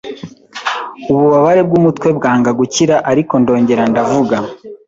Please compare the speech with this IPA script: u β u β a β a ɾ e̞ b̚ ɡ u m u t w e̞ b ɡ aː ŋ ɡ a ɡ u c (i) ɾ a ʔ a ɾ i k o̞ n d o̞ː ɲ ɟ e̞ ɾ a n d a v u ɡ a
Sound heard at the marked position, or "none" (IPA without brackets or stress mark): i